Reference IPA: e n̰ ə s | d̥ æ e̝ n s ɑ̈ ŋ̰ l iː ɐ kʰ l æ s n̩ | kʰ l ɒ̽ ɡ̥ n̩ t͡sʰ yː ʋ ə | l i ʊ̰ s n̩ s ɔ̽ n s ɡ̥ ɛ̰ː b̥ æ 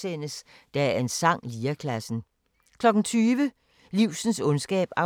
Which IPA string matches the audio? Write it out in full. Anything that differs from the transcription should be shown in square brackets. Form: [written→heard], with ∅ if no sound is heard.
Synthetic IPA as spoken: e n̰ ə s | d̥ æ e̝ n s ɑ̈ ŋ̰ l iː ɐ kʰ l æ s n̩ | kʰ l ɒ̽ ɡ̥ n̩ t͡sʰ yː ʋ ə | l i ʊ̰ s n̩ s ɔ̽ n s ɡ̥ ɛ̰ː b̥ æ